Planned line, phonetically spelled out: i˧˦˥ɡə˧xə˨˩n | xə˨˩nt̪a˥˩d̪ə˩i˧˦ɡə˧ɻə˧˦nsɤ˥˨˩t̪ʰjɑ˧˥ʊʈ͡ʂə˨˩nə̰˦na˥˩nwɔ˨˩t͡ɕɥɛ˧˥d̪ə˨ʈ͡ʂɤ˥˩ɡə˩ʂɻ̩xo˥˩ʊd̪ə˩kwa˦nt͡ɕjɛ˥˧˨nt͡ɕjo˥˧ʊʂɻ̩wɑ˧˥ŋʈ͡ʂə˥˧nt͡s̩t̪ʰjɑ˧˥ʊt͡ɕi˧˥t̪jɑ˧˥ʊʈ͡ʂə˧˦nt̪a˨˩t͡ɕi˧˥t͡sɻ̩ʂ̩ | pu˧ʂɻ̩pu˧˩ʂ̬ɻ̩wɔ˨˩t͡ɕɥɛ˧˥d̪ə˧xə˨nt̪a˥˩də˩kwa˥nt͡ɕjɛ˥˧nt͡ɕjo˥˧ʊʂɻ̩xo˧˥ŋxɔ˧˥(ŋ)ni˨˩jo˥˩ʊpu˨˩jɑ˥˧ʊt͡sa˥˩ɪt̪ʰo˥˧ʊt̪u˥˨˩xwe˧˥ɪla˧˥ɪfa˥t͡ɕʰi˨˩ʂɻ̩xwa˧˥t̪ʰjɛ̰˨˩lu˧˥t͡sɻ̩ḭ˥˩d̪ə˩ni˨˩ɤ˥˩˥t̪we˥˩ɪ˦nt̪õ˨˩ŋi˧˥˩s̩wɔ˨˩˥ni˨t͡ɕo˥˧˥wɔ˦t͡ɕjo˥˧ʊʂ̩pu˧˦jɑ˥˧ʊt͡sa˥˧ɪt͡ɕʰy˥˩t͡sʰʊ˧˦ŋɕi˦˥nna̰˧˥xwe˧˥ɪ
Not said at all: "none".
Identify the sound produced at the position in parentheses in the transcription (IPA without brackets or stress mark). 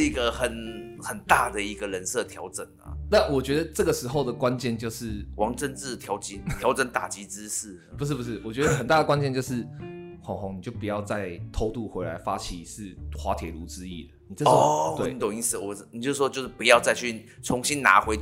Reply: ŋ